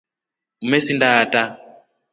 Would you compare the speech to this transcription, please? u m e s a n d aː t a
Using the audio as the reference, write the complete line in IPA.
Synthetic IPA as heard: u m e s i n d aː t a